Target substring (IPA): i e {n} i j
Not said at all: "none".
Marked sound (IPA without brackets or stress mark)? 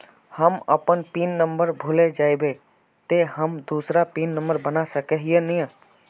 n